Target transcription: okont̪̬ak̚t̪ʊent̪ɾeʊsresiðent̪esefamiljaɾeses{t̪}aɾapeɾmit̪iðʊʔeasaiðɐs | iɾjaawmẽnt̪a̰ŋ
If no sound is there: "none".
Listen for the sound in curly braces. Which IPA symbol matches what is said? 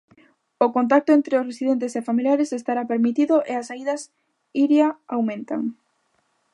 t̪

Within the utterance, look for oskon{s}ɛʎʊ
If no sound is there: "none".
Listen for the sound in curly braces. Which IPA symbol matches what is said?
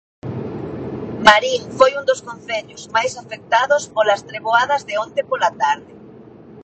θ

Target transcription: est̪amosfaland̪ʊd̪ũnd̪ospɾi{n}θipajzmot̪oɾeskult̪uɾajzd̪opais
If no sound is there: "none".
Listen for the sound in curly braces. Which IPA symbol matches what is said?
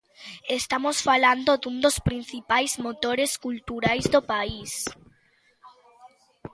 n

